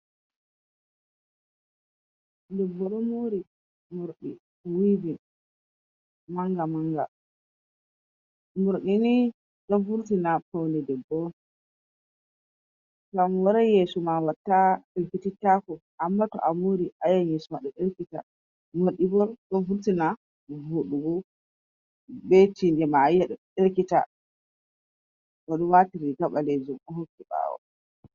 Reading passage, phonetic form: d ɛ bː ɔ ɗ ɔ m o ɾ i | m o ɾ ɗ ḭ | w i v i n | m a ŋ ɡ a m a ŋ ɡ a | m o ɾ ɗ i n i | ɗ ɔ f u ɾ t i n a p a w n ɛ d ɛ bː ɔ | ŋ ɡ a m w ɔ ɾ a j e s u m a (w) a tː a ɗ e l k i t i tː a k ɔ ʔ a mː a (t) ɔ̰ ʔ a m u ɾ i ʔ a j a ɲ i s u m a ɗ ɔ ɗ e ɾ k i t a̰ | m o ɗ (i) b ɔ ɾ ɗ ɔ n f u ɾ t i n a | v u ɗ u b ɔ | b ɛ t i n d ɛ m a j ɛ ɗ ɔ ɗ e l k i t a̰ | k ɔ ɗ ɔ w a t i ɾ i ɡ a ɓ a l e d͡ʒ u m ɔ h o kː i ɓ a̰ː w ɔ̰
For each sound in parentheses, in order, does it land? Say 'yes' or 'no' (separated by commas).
yes, yes, yes